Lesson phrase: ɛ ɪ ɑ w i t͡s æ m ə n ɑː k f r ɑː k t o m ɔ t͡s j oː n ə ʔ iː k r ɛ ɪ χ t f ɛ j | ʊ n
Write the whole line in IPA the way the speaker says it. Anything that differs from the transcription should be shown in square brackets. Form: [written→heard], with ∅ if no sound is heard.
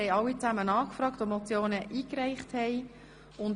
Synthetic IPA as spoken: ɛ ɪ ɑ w i t͡s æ m ə n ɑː k f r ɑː k t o m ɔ t͡s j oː n ə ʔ iː k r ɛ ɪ χ t [f→h] ɛ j | ʊ n

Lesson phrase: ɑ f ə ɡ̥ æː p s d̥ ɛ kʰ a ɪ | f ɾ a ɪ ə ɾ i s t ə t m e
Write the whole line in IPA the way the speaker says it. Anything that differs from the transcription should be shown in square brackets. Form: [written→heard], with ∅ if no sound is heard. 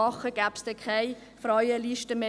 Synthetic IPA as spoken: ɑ [f→χ] ə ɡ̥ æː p s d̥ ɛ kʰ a ɪ | f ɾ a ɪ ə [ɾ→l] i [s→ʃ] t ə [t→∅] m e

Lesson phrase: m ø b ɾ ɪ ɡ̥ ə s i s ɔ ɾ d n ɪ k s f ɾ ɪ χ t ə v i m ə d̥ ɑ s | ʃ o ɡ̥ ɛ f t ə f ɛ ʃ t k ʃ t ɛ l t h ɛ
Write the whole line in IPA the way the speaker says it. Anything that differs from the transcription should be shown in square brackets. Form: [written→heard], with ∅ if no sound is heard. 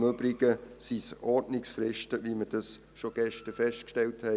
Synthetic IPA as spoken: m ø b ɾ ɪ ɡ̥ ə s i s ɔ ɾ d n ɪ k s f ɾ ɪ [χ→ʃ] t ə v i m ə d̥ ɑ s | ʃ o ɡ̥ ɛ [f→ʃ] t ə f ɛ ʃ t k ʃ t ɛ l t h ɛ

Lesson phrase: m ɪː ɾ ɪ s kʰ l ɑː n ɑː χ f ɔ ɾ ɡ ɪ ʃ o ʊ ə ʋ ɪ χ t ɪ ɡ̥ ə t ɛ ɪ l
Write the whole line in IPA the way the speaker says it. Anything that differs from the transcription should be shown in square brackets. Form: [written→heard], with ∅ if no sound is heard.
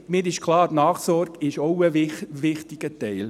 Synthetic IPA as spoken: m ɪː ɾ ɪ [s→ʃ] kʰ l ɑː n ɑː χ [f→s] ɔ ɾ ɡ ɪ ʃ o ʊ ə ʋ ɪ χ t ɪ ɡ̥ ə t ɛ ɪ l

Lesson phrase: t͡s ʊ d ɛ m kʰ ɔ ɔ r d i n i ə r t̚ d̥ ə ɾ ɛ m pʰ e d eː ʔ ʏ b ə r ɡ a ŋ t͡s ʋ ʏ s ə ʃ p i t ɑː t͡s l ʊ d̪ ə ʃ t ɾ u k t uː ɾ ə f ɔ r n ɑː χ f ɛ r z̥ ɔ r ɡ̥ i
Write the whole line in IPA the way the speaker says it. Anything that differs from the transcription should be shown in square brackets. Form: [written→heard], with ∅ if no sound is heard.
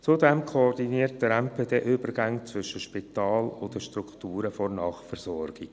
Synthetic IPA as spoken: t͡s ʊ d ɛ m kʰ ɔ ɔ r d i n i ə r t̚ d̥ ə ɾ ɛ m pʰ e d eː ʔ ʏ b ə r ɡ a ŋ t͡s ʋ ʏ [s→ʃ] ə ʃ p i t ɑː [t͡s→∅] l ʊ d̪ ə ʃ t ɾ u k t uː ɾ ə f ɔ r n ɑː χ f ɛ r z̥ ɔ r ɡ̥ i

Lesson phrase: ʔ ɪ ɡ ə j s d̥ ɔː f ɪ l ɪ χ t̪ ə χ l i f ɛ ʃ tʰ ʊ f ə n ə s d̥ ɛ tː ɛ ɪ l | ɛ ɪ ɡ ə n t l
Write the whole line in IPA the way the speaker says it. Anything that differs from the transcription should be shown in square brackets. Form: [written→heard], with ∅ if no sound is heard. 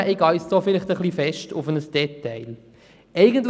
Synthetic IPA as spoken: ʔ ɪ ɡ [ə→ɑ] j s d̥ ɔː f ɪ l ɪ χ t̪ ə χ l i f ɛ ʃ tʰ ʊ f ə n ə s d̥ ɛ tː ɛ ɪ l | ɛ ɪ ɡ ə n t l

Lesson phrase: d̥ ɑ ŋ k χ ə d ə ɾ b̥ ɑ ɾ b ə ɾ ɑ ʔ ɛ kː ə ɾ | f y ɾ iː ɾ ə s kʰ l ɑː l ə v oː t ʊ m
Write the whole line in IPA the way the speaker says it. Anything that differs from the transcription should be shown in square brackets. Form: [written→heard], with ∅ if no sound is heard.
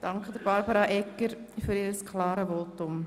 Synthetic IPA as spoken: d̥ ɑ ŋ k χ ə d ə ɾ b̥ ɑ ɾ b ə ɾ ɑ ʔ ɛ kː ə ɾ | f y ɾ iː ɾ ə s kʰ l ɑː [l→ɾ] ə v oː t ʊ m

